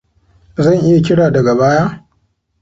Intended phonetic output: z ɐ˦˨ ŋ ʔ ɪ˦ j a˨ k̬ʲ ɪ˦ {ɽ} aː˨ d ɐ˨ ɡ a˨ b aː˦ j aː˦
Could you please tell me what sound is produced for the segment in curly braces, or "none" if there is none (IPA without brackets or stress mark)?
ɽ